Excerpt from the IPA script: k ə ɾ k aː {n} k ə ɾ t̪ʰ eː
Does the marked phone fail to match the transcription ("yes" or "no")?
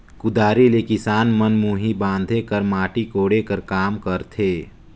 yes